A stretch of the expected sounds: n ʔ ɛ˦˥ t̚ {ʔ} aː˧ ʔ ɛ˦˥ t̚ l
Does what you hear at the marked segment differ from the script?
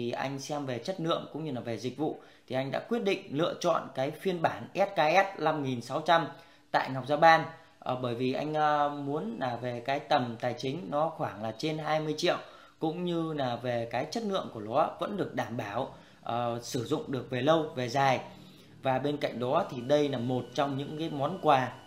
yes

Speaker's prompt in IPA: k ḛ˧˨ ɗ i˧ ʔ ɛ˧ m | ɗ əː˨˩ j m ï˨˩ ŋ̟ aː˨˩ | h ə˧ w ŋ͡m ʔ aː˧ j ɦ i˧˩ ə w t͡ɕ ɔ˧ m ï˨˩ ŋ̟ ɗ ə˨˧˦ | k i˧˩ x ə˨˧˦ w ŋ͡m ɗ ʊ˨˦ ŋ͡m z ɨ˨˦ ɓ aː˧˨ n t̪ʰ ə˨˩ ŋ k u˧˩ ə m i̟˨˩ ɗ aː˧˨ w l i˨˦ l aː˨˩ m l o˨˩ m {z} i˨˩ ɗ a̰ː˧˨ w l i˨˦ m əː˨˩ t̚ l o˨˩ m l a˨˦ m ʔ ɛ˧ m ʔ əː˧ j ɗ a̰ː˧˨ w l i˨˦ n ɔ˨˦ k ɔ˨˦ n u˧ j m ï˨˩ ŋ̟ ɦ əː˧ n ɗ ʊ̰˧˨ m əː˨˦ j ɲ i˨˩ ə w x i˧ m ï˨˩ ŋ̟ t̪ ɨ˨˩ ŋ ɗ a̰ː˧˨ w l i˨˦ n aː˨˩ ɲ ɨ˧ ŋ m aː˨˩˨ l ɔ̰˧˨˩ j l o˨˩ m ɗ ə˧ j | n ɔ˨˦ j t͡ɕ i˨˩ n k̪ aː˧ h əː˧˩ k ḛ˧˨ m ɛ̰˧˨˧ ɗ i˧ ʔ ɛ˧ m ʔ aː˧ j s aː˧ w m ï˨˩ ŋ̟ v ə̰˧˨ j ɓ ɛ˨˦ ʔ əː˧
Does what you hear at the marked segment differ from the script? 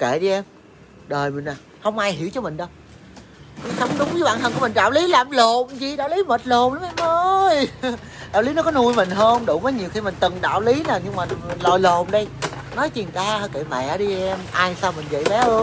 no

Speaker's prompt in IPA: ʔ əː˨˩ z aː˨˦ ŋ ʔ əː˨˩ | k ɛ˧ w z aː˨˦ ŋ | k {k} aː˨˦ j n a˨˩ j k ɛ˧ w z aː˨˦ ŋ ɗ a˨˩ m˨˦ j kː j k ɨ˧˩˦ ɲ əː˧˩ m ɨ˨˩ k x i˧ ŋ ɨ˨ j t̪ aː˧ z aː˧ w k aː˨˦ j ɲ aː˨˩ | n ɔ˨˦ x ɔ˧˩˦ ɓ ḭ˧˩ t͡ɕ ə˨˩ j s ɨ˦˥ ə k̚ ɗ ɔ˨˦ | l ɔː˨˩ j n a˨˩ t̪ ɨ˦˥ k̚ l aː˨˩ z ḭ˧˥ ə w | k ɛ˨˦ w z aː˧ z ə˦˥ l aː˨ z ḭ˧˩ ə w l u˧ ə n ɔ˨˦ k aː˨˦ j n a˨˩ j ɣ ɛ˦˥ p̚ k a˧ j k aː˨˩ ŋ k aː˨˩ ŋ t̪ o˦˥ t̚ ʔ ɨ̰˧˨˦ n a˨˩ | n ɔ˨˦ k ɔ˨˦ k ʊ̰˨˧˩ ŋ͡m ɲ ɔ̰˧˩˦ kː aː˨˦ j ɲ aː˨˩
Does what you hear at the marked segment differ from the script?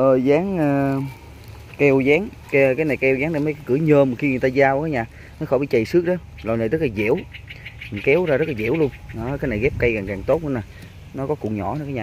no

